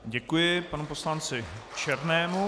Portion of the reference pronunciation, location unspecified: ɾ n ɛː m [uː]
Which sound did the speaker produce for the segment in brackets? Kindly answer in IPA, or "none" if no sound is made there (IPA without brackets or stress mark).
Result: u